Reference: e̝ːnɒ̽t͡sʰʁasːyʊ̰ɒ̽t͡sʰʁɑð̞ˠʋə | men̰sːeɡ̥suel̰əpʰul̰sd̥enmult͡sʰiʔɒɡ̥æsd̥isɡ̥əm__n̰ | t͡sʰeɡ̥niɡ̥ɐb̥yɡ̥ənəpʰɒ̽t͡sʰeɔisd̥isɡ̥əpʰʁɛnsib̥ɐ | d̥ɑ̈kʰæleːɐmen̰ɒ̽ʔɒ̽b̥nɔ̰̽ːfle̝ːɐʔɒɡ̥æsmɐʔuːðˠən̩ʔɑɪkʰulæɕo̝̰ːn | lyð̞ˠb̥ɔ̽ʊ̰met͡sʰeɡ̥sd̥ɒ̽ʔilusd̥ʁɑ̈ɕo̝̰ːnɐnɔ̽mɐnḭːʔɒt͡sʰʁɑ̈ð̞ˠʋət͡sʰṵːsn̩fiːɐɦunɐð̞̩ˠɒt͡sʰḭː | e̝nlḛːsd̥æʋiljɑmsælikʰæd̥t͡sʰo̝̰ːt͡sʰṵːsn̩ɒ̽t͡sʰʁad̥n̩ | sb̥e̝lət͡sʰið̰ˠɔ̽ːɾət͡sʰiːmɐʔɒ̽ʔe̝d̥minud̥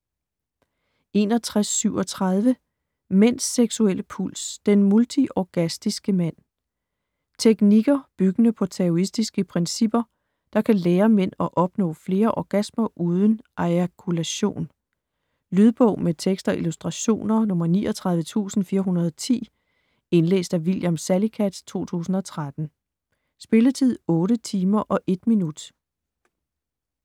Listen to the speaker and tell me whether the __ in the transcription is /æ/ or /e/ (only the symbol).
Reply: æ